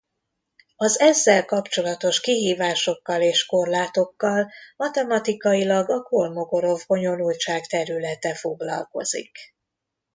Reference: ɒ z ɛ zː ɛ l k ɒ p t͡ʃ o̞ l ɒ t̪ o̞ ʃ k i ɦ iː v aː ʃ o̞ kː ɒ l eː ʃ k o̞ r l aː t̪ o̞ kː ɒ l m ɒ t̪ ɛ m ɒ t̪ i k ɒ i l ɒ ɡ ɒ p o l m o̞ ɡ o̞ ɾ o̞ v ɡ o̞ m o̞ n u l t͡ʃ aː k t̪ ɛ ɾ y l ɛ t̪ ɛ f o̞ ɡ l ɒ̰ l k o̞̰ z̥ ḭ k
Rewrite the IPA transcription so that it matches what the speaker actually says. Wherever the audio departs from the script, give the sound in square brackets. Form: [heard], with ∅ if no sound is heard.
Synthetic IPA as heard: ɒ z ɛ zː ɛ l k ɒ p t͡ʃ o̞ l ɒ t̪ o̞ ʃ k i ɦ iː v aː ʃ o̞ kː ɒ l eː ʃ k o̞ r l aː t̪ o̞ kː ɒ l m ɒ t̪ ɛ m ɒ t̪ i k ɒ i l ɒ ɡ ɒ [k] o l m o̞ ɡ o̞ ɾ o̞ v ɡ o̞ [ɲ] o̞ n u l t͡ʃ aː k t̪ ɛ ɾ y l ɛ t̪ ɛ f o̞ ɡ l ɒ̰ l k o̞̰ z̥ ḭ k

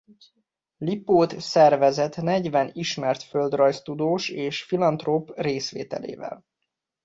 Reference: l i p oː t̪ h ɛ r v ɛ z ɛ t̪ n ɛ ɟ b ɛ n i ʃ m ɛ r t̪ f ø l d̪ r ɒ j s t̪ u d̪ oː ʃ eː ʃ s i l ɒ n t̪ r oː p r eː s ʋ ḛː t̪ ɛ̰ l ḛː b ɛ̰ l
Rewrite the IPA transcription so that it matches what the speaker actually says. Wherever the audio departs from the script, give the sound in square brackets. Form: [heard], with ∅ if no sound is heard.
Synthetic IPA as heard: l i p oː t̪ [s] ɛ r v ɛ z ɛ t̪ n ɛ ɟ [v] ɛ n i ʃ m ɛ r t̪ f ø l d̪ r ɒ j s t̪ u d̪ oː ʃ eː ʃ [f] i l ɒ n t̪ r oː p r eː s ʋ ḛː t̪ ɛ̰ l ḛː [v] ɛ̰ l

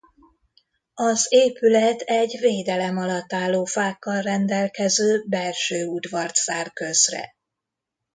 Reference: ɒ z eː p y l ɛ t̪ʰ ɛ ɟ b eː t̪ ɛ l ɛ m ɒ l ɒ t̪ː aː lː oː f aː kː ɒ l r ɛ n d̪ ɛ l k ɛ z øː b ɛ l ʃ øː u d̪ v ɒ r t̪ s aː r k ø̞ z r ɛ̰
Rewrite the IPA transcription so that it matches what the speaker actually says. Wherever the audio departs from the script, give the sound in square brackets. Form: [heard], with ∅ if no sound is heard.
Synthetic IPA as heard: ɒ z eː p y l ɛ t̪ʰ ɛ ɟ [v] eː [d̪] ɛ l ɛ m ɒ l ɒ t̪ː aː lː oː f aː kː ɒ l r ɛ n d̪ ɛ l k ɛ z øː b ɛ l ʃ øː u d̪ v ɒ r t̪ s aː r k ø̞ z r ɛ̰

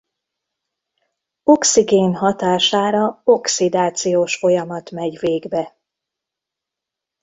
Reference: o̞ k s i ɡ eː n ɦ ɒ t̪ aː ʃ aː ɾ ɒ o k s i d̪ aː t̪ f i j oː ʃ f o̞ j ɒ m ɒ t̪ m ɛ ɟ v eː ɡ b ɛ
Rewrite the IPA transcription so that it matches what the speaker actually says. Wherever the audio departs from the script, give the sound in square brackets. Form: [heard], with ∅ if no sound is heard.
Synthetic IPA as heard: o̞ k s i ɡ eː n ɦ ɒ t̪ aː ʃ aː ɾ ɒ o k s i d̪ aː t̪ [s] i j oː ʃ f o̞ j ɒ m ɒ t̪ m ɛ ɟ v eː ɡ b ɛ

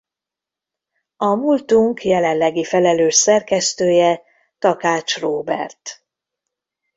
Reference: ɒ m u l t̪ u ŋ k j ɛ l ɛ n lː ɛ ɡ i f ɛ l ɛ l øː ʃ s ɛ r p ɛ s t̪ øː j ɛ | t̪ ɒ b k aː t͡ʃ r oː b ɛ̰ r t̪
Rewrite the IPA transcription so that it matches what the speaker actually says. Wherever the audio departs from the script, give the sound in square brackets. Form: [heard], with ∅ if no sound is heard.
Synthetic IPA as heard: ɒ m u l t̪ u ŋ k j ɛ l ɛ n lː ɛ ɡ i f ɛ l ɛ l øː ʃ s ɛ r [k] ɛ s t̪ øː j ɛ | t̪ ɒ [∅] k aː t͡ʃ r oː b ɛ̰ r t̪

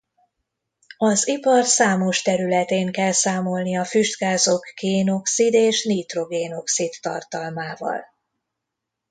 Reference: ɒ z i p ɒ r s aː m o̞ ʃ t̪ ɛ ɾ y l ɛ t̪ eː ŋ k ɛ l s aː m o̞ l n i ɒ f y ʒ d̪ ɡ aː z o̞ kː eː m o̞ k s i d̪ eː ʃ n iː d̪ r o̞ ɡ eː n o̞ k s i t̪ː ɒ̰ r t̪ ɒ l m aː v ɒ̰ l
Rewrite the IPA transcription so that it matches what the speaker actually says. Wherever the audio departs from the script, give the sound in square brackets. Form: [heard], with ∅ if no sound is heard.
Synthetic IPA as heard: ɒ z i p ɒ r s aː m o̞ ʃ t̪ ɛ ɾ y l ɛ t̪ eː ŋ k ɛ l s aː m o̞ l n i ɒ f y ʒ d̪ ɡ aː z o̞ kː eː [n] o̞ k s i d̪ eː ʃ n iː [t̪] r o̞ ɡ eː n o̞ k s i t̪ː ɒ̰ r t̪ ɒ l m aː v ɒ̰ l

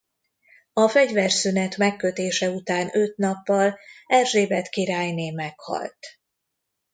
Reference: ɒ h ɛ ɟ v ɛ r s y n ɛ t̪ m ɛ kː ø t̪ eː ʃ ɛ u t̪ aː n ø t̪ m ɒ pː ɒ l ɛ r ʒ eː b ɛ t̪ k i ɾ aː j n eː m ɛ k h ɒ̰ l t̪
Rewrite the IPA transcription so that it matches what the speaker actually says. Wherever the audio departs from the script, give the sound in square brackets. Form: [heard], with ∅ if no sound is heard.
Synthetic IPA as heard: ɒ [f] ɛ ɟ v ɛ r s y n ɛ t̪ m ɛ kː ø t̪ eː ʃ ɛ u t̪ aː n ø t̪ [n] ɒ pː ɒ l ɛ r ʒ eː b ɛ t̪ k i ɾ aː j n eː m ɛ k h ɒ̰ l t̪

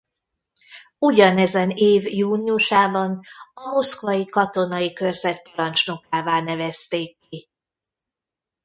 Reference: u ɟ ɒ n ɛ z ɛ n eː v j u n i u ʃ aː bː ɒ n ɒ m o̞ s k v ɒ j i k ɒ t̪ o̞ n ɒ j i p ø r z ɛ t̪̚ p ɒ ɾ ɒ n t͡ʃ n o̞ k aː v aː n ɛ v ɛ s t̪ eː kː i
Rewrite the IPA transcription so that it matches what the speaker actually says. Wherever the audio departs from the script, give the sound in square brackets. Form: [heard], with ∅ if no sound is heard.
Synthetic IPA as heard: u ɟ ɒ n ɛ z ɛ n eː v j [uː] n i u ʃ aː [b] ɒ n ɒ m o̞ s k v ɒ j i k ɒ t̪ o̞ n ɒ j i [k] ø r z ɛ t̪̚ p ɒ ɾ ɒ n t͡ʃ n o̞ k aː v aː n ɛ v ɛ s t̪ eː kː i

